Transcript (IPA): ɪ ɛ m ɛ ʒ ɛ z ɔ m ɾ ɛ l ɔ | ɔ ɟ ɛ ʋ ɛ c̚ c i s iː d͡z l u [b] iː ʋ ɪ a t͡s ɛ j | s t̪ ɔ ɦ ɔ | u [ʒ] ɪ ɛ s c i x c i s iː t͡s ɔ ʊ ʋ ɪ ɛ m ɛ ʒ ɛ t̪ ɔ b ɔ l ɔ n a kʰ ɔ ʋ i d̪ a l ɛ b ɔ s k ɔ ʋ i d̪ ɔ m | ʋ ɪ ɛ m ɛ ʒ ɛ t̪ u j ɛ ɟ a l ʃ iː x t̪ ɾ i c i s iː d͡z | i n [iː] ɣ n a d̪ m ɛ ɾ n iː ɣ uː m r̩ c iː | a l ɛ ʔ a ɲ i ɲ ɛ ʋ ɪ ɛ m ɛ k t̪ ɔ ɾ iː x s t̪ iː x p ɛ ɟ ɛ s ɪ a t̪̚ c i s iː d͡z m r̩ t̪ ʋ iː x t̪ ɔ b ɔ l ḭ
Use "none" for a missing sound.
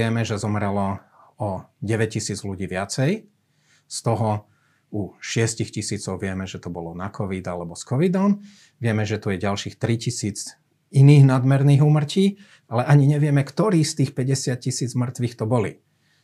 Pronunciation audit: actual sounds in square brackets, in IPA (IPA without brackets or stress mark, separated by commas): ɟ, ʃ, iː